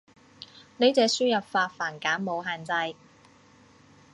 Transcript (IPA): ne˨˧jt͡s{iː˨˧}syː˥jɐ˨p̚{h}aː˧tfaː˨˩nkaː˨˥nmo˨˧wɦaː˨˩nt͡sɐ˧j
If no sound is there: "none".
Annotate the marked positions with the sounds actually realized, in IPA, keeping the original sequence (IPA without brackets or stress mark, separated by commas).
ɛː˨˧, f